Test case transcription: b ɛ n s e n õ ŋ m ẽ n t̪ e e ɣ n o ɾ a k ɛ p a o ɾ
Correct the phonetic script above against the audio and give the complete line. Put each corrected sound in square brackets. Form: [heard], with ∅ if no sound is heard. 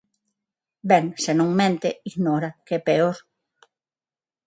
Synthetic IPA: b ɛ [ŋ] s e n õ ŋ m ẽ n t̪ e [i] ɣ n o ɾ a k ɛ p [e] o ɾ